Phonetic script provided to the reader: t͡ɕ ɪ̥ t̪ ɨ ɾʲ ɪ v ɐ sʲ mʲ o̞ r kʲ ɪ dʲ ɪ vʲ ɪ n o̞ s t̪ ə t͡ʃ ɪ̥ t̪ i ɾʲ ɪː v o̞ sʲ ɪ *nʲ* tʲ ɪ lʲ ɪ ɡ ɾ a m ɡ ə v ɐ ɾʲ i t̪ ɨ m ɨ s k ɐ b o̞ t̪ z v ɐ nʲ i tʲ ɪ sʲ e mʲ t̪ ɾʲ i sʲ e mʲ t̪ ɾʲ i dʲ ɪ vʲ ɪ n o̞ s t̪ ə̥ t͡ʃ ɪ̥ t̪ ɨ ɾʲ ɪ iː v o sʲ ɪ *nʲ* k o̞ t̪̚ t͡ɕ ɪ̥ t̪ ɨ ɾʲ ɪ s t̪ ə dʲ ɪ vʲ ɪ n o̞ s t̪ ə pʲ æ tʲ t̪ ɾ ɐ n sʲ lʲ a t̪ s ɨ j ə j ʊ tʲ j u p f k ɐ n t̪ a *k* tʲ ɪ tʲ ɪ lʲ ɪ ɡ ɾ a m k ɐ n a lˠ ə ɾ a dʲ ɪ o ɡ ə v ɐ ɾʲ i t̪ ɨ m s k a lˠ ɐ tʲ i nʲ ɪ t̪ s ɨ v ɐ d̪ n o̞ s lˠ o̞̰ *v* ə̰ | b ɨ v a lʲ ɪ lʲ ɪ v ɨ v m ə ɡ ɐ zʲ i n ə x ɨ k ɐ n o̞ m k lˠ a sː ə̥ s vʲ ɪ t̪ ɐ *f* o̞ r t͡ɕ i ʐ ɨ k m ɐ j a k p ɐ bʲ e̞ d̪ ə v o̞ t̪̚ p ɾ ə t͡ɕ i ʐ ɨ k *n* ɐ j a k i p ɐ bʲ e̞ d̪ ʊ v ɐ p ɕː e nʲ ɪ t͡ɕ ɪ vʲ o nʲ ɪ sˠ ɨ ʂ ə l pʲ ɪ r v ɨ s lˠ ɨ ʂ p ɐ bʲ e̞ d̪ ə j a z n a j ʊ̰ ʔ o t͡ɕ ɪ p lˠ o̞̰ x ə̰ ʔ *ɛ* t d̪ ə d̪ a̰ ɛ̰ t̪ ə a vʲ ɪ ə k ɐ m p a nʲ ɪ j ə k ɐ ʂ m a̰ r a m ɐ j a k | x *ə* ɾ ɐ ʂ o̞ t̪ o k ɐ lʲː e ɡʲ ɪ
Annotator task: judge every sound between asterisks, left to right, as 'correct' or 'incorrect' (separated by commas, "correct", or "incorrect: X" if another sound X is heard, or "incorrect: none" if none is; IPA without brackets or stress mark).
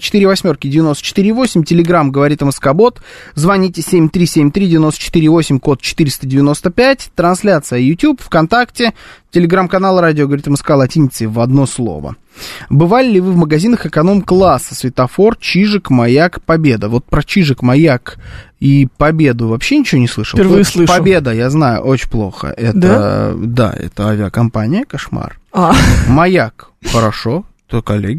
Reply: incorrect: mʲ, incorrect: mʲ, correct, correct, correct, incorrect: m, correct, correct